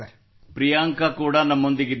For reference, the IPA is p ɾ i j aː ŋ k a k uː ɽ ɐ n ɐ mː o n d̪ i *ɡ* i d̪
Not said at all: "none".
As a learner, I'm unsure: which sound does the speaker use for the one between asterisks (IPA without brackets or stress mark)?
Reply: ɡ